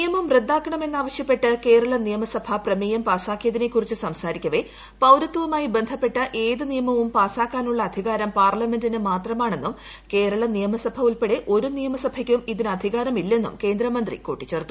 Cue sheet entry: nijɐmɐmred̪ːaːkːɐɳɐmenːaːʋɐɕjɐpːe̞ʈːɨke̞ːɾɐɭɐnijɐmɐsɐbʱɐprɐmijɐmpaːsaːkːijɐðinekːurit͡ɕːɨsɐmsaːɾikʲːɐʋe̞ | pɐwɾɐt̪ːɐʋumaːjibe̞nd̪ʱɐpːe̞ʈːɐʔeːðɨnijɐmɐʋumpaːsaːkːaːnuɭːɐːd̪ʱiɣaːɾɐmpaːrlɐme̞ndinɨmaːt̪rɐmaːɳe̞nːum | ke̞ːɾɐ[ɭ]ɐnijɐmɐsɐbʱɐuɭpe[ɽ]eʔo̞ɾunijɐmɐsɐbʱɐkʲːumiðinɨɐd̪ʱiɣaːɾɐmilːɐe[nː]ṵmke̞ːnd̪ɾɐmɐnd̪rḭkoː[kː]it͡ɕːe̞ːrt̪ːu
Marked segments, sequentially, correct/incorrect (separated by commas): correct, correct, correct, incorrect